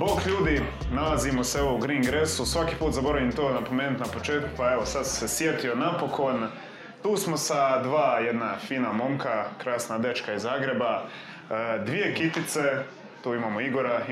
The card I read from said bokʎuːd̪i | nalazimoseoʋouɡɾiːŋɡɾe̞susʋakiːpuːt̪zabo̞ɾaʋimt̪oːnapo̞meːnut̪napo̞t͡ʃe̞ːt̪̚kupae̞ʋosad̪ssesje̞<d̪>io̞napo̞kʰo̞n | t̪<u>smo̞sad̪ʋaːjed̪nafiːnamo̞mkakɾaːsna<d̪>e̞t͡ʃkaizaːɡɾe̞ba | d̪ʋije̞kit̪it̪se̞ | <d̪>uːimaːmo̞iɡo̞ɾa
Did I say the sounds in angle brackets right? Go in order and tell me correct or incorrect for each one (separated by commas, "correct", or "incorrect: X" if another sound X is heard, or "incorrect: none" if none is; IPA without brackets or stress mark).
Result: incorrect: t̪, incorrect: uː, correct, incorrect: t̪